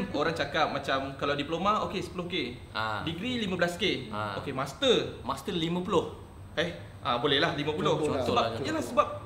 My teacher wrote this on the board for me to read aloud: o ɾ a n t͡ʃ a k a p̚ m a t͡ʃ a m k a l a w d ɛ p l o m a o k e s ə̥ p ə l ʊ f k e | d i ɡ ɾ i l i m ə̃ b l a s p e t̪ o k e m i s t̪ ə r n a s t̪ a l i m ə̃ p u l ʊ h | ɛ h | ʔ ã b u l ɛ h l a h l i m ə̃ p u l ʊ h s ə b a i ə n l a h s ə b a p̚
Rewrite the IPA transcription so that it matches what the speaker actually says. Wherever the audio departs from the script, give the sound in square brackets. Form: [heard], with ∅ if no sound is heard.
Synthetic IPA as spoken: o ɾ a [ŋ] t͡ʃ a k a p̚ m a t͡ʃ a m k a l a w d [i] p l o m a o k e s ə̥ p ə l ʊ [h] k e | d i ɡ ɾ i l i m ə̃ b l a s [k] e [∅] o k e m [a] s t̪ ə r [m] a s t̪ [ə] l i m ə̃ p u l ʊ h | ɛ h | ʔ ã b [o] l ɛ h l a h l i m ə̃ p u l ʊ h s ə b a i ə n l a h s ə b a p̚